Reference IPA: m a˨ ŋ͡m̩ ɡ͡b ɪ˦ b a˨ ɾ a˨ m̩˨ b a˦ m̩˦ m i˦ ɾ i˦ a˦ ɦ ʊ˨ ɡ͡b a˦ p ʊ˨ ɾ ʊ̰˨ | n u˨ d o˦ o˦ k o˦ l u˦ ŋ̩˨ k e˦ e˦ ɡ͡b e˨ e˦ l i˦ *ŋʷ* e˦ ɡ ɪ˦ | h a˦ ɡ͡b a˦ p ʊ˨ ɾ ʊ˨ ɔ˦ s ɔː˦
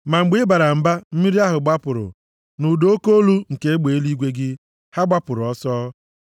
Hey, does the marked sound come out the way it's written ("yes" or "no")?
no